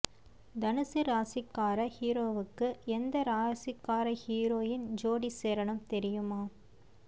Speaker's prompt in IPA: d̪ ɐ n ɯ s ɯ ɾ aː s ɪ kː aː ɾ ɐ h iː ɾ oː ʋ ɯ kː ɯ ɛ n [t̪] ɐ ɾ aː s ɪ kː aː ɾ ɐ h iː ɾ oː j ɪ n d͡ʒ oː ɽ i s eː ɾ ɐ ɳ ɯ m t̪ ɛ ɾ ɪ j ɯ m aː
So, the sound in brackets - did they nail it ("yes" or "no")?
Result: no